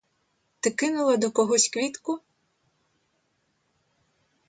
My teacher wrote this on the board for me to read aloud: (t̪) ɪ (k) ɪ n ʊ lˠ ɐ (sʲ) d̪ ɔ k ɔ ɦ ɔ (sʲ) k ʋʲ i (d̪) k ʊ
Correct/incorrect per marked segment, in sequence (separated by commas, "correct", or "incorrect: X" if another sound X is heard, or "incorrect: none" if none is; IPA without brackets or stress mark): correct, correct, incorrect: none, correct, incorrect: t̪